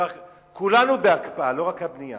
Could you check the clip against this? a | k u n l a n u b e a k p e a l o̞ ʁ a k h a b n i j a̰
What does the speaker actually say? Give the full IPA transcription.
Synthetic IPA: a | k u l a n u b e a k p a a l o̞ ʁ a k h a b n i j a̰

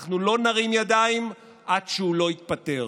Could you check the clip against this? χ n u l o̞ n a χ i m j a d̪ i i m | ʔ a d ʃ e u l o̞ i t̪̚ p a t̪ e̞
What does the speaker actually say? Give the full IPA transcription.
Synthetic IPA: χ n u l o̞ n a ʁ i m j a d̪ a i m | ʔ a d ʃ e u l o̞ i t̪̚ p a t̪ e̞

